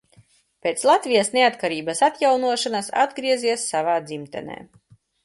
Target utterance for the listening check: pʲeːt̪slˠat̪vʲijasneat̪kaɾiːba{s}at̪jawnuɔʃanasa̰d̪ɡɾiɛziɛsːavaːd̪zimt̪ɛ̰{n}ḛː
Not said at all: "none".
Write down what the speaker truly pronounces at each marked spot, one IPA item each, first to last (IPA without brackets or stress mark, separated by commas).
s, n